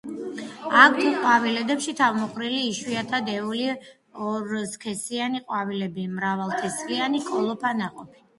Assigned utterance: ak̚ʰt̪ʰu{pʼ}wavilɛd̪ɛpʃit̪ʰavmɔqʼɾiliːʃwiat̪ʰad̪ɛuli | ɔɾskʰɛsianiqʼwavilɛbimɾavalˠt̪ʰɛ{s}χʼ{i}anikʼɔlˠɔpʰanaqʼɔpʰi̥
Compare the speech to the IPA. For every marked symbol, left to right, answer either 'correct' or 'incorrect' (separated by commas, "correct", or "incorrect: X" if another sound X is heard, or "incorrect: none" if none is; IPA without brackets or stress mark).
incorrect: qʼ, correct, correct